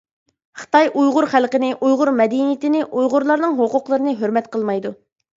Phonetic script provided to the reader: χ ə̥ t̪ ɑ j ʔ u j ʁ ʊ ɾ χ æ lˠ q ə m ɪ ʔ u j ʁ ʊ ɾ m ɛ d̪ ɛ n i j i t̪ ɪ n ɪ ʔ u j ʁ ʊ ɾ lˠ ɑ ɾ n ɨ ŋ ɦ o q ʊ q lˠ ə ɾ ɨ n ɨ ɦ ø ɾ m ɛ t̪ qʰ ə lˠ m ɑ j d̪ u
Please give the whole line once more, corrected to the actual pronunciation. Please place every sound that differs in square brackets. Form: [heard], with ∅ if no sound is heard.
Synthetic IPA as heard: χ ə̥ t̪ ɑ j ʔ u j ʁ ʊ ɾ χ æ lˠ q ə [n] ɪ ʔ u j ʁ ʊ ɾ m ɛ d̪ [i] n i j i t̪ ɪ n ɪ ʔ u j ʁ ʊ ɾ lˠ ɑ ɾ n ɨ ŋ ɦ o q ʊ q lˠ ə ɾ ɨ n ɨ ɦ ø ɾ m ɛ t̪ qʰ ə lˠ m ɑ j d̪ u